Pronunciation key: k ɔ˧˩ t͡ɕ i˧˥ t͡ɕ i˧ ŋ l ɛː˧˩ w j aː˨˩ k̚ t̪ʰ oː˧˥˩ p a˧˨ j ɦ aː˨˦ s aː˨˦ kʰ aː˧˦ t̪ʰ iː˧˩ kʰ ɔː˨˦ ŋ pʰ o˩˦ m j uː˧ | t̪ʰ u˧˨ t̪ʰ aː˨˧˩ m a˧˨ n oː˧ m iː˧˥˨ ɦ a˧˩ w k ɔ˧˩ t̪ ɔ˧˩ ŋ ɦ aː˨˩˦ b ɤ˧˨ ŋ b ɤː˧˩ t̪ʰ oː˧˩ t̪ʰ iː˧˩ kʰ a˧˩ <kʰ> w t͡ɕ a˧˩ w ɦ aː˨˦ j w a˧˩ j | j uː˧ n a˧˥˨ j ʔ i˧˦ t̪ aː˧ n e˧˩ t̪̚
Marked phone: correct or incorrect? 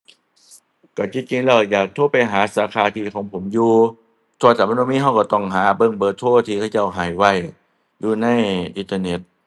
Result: incorrect: none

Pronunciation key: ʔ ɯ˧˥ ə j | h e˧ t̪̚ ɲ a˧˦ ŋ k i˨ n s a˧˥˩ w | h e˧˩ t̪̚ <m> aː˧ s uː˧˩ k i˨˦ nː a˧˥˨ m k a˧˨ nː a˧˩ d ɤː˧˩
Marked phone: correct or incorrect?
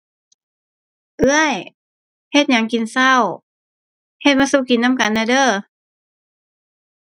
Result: correct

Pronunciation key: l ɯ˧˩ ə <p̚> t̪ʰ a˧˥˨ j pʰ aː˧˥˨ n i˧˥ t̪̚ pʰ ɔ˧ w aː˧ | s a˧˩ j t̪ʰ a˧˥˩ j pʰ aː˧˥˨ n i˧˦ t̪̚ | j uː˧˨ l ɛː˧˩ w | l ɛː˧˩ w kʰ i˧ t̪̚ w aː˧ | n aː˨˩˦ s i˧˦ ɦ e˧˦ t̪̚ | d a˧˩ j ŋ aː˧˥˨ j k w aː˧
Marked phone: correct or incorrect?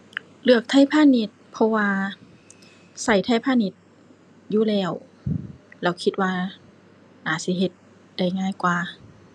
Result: incorrect: k̚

